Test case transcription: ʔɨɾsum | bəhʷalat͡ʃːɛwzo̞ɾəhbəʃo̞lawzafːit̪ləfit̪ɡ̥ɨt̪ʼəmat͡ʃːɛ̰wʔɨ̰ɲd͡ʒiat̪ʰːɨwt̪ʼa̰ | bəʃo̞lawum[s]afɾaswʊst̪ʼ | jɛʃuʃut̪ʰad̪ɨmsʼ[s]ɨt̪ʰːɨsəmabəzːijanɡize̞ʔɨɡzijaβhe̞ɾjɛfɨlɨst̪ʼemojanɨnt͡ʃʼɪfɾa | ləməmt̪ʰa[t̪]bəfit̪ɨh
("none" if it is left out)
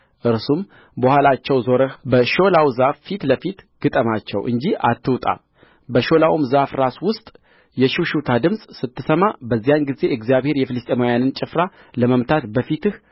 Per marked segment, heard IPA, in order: z, s, t̪

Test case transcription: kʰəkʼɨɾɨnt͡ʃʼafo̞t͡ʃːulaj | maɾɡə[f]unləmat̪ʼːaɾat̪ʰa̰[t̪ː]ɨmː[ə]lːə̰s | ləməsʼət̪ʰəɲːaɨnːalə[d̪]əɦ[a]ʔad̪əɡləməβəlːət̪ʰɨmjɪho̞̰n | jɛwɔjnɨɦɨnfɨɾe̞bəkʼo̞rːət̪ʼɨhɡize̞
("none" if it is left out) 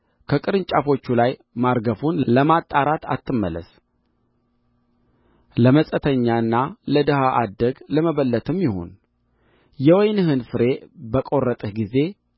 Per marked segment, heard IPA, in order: f, t̪ː, ə, d̪, a

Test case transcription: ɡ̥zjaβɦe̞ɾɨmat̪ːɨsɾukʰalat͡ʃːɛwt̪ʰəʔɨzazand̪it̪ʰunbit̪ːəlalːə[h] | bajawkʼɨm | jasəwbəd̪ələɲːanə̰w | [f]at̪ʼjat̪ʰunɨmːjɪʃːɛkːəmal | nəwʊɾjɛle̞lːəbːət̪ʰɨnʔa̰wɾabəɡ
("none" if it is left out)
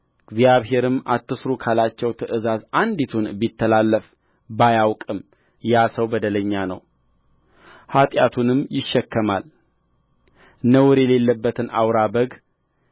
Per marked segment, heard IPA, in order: f, h

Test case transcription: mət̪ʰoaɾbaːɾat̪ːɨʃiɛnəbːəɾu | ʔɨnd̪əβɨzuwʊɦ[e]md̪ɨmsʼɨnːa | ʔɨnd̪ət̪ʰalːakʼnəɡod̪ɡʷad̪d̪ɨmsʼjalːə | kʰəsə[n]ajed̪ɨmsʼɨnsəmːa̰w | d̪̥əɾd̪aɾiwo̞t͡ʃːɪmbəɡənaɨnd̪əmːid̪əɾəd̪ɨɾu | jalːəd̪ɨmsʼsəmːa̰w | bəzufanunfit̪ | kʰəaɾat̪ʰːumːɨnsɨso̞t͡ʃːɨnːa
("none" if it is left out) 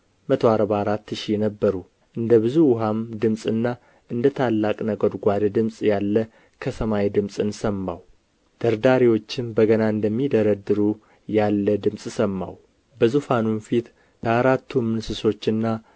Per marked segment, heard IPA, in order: a, m

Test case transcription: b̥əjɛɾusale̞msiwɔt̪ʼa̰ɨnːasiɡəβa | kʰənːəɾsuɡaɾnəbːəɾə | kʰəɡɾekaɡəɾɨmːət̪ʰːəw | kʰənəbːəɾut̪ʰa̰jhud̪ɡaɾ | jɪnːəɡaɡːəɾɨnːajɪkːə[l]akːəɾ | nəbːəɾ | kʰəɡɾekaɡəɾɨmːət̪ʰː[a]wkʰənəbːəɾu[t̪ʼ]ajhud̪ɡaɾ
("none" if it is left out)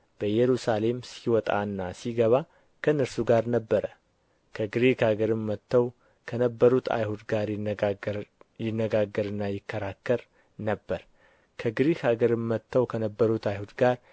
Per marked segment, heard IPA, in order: ɾ, ə, t̪

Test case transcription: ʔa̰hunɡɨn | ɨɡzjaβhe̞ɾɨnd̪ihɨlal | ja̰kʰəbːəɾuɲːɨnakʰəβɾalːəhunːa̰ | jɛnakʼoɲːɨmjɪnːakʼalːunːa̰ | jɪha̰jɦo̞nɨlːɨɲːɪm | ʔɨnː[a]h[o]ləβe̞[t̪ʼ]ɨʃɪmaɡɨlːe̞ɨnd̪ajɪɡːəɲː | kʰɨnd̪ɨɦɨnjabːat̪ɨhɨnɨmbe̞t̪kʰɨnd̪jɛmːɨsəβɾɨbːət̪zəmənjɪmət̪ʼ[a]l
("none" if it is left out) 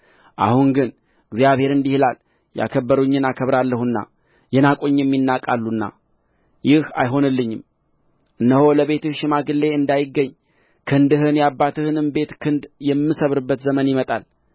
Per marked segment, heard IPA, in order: ə, o, t̪, a

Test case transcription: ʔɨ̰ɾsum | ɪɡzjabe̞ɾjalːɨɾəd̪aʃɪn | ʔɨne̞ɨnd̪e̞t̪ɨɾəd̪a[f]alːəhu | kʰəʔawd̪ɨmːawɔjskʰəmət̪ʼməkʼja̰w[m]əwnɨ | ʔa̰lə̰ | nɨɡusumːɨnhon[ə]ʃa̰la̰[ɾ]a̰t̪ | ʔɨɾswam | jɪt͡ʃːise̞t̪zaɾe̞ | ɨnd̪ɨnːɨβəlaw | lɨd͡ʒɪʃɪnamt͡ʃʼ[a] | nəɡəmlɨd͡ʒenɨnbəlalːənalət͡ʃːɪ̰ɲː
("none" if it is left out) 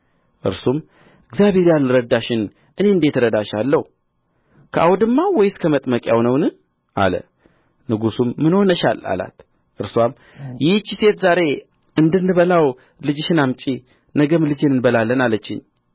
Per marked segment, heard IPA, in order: ʃ, n, ə, l, i

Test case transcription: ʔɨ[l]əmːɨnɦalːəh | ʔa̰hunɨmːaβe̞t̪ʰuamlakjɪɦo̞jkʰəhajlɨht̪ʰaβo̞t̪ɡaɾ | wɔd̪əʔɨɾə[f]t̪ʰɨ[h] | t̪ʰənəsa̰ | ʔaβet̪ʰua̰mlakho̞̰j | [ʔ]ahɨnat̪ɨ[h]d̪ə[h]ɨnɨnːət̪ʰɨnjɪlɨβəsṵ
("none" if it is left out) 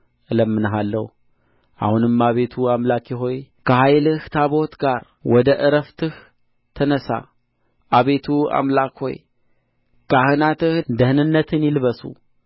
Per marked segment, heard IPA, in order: l, f, h, k, h, h

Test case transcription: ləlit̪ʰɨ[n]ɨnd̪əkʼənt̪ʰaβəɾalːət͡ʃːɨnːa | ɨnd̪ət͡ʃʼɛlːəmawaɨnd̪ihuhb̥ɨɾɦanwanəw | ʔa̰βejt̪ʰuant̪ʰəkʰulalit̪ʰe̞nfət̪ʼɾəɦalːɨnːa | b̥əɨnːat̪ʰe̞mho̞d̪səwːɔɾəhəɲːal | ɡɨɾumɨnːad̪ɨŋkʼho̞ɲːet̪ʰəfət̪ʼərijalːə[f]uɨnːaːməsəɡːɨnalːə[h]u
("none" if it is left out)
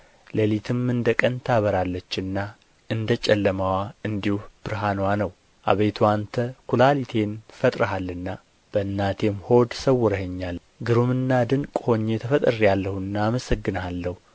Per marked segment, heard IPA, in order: m, h, h

